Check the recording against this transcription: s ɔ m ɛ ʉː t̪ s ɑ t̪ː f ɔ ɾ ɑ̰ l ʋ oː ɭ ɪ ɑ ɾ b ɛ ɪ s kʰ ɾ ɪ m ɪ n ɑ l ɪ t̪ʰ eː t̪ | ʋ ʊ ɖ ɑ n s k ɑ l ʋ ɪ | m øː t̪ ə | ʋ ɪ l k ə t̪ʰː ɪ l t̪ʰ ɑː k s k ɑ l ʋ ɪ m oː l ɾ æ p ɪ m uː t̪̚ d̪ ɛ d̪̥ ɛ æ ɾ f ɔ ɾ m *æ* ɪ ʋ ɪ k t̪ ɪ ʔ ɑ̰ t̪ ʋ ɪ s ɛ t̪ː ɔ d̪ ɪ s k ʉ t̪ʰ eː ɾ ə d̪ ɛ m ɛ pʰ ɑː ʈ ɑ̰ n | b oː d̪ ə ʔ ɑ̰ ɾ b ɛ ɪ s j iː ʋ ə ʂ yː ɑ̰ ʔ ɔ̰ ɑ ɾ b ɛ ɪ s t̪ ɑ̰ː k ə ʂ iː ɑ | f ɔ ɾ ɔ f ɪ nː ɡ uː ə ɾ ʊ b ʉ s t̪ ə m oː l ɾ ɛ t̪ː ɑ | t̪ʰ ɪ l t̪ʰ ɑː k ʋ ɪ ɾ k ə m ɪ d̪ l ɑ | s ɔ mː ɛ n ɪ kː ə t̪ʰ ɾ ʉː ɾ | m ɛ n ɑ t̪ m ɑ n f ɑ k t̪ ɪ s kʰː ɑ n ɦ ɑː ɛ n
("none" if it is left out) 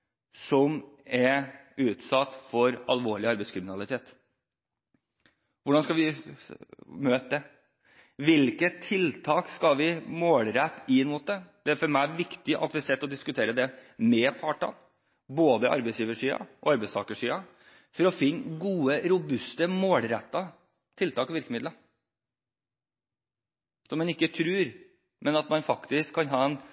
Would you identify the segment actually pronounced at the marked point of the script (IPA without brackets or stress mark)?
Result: æ